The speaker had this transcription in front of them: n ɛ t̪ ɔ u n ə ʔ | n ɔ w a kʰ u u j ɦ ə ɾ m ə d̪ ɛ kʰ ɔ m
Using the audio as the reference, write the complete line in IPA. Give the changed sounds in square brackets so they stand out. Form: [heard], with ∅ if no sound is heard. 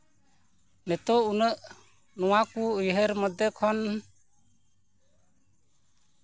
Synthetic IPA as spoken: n ɛ t̪ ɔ u n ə ʔ | n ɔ w a [k] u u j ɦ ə ɾ m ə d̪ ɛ kʰ ɔ [n]